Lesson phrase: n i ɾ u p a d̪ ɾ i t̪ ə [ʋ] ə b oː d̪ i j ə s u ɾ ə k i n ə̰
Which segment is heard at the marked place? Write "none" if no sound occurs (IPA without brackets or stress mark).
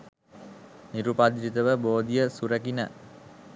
ʋ